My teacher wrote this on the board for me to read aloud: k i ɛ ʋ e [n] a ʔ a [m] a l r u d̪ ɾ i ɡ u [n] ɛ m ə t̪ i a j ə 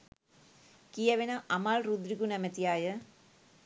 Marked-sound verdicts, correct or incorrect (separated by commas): correct, correct, correct